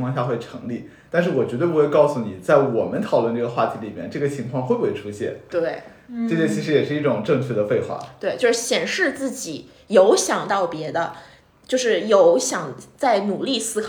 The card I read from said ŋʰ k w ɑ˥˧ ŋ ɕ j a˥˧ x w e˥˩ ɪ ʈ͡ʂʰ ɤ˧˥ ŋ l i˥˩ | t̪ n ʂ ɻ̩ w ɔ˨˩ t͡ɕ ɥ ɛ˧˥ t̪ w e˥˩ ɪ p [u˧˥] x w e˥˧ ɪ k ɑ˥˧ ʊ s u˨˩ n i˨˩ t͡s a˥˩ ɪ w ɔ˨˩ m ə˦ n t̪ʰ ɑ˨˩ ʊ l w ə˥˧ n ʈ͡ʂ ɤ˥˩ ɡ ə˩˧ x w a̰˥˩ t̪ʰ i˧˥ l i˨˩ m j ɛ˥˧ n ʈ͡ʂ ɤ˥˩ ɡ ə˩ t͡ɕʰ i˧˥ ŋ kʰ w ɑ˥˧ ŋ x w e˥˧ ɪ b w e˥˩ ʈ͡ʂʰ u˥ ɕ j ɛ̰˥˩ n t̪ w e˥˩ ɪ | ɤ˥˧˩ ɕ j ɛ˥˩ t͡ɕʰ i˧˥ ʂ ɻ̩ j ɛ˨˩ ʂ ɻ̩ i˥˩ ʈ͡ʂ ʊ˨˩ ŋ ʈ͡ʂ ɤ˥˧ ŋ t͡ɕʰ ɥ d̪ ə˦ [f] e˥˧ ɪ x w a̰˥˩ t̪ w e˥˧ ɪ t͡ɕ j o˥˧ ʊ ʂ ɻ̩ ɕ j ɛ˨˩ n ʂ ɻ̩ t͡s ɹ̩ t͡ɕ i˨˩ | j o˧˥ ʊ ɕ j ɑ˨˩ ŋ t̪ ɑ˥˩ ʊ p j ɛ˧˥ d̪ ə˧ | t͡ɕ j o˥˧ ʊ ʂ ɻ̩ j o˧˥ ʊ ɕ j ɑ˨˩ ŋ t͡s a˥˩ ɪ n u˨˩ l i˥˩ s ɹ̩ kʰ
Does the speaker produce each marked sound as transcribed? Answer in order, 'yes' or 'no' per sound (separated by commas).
no, yes